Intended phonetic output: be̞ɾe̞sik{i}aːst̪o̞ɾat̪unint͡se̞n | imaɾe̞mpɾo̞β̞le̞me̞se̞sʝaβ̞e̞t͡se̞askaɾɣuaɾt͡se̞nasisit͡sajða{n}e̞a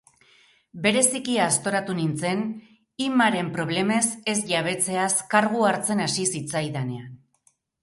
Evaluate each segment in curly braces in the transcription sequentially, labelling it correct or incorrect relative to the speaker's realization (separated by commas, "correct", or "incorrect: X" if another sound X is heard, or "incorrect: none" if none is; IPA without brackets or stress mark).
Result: correct, correct